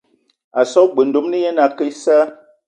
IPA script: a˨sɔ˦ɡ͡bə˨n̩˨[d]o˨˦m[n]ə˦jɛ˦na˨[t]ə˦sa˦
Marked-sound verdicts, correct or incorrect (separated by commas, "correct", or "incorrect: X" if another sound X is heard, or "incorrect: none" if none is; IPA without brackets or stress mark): correct, correct, incorrect: k